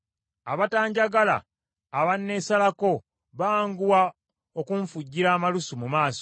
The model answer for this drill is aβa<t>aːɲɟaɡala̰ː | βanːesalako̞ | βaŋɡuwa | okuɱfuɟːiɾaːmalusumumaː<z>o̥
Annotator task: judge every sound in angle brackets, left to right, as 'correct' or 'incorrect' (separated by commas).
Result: correct, incorrect